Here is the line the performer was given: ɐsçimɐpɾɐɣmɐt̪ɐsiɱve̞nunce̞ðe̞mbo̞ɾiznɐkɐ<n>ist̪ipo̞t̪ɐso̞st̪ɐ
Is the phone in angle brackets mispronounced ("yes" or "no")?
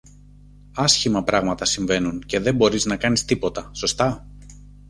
no